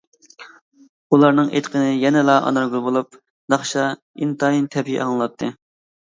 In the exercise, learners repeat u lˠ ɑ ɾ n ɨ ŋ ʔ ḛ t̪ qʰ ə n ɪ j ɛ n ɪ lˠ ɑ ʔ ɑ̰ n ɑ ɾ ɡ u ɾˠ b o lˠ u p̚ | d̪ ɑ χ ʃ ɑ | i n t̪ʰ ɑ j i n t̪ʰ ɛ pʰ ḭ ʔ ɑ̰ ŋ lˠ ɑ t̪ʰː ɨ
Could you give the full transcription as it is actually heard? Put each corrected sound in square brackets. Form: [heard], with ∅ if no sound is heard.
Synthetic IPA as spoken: u lˠ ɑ ɾ n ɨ ŋ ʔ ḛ t̪ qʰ ə n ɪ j ɛ n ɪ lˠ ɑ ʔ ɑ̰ n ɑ ɾ ɡ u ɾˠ b o lˠ u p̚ | d̪ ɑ χ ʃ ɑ | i n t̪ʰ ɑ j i n t̪ʰ ɛ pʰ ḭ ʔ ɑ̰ ŋ lˠ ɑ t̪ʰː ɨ